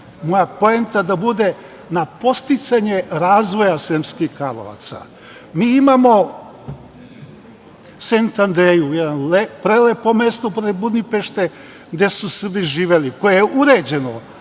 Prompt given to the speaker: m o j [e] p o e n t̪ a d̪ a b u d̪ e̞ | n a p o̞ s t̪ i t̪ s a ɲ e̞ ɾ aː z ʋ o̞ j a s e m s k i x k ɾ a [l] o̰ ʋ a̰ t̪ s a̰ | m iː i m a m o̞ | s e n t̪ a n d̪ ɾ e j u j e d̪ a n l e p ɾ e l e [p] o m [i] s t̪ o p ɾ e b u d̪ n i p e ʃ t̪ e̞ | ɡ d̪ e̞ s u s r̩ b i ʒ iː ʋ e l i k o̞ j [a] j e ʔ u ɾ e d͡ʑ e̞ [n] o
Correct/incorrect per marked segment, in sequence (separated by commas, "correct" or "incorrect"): incorrect, correct, correct, incorrect, incorrect, correct